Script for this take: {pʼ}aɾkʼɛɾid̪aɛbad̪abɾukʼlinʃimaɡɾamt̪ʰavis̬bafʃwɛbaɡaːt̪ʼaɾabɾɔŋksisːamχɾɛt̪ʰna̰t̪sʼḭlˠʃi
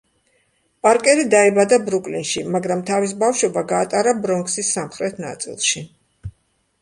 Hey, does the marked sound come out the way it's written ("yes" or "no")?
yes